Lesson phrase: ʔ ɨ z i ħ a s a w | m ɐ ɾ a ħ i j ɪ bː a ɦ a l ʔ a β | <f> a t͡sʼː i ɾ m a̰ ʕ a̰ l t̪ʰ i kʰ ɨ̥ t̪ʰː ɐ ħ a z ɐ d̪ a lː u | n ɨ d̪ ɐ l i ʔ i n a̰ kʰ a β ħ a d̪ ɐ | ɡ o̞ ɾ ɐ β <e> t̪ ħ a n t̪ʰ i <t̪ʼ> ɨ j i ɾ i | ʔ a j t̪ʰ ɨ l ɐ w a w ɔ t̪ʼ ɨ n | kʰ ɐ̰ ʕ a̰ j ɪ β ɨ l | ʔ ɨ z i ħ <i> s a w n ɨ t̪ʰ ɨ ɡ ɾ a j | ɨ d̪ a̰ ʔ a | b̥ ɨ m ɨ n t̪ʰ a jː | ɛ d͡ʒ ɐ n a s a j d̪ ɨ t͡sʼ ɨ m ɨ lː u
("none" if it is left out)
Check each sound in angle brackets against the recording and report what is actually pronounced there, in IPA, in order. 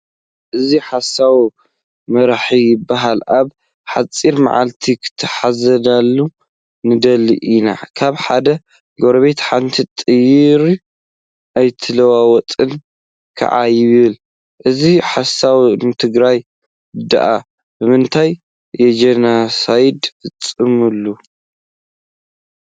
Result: ħ, e, t̪ʼ, a

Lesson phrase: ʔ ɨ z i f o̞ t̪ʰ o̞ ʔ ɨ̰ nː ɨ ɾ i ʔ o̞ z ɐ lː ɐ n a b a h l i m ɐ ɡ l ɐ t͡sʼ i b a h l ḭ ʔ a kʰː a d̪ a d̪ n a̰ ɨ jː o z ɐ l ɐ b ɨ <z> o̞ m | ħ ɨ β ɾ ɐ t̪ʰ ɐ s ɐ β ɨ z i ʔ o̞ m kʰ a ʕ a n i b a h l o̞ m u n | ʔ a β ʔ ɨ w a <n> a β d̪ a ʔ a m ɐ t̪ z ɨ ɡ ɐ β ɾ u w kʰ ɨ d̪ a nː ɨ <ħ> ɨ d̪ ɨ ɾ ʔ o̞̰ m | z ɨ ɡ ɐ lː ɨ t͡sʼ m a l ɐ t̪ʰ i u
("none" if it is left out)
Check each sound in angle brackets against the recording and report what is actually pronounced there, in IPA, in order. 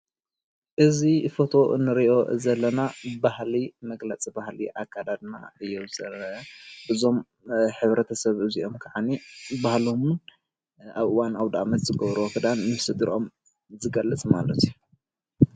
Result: z, n, s

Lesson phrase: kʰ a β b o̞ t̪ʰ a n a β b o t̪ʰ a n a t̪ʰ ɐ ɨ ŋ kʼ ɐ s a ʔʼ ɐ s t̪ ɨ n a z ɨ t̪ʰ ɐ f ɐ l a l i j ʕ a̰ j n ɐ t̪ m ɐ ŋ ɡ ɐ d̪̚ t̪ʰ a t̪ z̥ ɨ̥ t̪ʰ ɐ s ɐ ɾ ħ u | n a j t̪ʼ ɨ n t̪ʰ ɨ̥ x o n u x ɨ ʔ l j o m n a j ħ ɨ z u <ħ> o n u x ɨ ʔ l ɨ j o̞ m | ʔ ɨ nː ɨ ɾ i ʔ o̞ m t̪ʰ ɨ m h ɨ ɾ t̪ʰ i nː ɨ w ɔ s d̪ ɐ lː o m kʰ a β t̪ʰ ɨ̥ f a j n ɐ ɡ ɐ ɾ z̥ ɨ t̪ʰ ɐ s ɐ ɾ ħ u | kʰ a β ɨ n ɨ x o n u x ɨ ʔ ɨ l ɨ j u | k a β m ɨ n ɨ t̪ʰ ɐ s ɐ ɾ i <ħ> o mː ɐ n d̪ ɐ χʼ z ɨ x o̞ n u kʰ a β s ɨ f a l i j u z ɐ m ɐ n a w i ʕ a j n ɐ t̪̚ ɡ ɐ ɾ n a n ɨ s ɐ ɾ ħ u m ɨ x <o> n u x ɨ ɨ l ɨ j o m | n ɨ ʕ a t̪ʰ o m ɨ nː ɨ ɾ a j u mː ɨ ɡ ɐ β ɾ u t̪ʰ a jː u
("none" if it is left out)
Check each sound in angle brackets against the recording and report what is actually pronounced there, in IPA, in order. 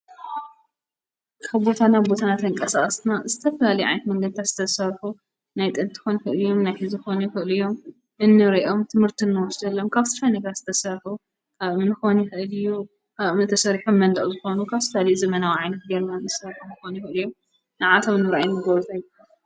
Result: x, ħ, o

